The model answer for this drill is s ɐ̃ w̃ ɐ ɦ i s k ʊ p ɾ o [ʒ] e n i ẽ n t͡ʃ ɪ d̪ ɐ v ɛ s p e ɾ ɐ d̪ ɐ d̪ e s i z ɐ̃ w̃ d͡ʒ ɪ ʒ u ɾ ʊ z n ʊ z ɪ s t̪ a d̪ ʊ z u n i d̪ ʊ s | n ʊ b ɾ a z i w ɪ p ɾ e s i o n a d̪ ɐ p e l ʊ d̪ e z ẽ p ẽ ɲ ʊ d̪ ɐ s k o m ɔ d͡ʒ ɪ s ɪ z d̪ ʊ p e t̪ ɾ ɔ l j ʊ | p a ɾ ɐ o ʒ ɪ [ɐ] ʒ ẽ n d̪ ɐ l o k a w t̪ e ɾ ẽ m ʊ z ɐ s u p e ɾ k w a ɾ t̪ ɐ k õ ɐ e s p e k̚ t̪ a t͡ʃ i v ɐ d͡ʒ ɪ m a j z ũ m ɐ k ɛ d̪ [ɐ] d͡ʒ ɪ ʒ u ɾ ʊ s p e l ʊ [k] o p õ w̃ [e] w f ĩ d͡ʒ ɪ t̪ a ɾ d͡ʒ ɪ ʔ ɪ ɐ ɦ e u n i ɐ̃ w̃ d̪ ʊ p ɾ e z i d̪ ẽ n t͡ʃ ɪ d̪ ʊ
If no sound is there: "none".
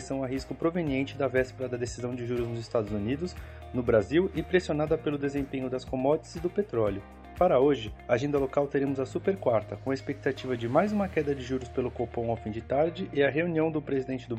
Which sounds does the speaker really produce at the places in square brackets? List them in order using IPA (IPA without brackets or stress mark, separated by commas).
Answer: v, a, ɐ, k, a